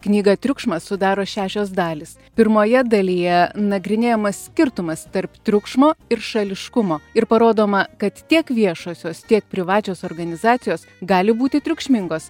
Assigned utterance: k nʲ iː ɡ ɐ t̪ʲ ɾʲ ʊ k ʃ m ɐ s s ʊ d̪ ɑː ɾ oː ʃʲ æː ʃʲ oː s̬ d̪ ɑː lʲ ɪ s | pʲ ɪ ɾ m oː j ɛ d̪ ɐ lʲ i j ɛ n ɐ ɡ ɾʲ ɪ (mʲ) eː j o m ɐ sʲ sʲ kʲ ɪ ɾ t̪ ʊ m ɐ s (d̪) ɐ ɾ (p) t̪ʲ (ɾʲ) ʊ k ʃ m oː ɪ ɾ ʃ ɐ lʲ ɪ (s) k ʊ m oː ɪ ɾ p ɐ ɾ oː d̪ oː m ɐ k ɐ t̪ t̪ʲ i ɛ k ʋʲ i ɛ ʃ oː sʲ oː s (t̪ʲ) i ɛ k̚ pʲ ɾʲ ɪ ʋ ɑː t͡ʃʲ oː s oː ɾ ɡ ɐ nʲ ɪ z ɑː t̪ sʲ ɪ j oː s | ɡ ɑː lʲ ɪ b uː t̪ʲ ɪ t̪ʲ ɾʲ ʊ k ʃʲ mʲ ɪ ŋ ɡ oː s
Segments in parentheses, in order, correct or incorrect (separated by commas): incorrect, incorrect, correct, correct, incorrect, correct